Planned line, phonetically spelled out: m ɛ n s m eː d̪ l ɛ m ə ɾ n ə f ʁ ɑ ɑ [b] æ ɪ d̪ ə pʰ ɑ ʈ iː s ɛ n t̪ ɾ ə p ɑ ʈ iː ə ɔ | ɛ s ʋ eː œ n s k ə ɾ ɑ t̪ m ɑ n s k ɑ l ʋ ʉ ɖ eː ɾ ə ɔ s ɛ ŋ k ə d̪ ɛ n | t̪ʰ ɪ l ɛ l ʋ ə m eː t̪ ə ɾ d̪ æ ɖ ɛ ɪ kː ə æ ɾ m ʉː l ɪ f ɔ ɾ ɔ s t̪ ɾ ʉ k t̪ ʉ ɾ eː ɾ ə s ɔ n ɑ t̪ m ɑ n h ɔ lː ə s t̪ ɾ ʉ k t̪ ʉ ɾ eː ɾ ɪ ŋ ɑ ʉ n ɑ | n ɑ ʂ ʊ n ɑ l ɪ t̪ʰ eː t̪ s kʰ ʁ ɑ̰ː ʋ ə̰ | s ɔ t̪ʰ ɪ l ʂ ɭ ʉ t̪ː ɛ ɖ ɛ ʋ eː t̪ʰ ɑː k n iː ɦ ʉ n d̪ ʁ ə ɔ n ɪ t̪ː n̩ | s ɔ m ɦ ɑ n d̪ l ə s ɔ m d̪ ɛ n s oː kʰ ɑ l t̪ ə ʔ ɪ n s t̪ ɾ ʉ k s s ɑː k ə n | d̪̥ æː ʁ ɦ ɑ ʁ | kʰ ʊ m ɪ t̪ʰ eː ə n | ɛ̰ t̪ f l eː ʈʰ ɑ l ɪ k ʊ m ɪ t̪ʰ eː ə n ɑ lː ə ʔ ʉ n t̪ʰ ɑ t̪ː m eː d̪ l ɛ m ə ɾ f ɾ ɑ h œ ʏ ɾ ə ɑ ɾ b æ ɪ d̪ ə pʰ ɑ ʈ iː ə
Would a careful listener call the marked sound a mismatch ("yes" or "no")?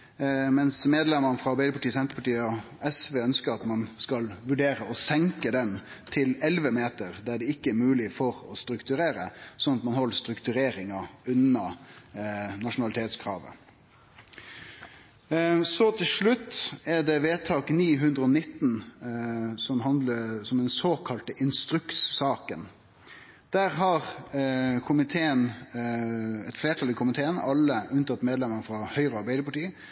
no